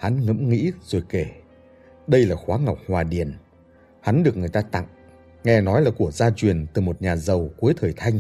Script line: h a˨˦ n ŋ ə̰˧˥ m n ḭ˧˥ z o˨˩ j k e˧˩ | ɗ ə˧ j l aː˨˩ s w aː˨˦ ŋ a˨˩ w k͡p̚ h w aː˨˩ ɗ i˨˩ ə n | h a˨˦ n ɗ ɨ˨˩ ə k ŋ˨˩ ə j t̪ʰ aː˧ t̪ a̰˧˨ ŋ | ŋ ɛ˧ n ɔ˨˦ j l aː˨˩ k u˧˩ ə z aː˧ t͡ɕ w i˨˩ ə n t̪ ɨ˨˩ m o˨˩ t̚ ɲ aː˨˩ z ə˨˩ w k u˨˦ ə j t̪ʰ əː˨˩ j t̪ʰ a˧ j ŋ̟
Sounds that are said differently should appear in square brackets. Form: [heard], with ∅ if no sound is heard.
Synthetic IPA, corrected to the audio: h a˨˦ n ŋ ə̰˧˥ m [ŋ] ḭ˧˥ z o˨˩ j k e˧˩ | ɗ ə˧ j l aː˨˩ [x] w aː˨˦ ŋ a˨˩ w k͡p̚ h w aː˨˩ ɗ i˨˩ ə n | h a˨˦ n ɗ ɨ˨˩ ə k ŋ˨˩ ə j [t̪] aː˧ t̪ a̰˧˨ ŋ | ŋ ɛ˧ n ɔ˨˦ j l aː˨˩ k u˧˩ ə z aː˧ t͡ɕ w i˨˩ ə n t̪ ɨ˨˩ m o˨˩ t̚ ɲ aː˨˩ z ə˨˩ w k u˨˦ ə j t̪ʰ əː˨˩ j t̪ʰ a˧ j ŋ̟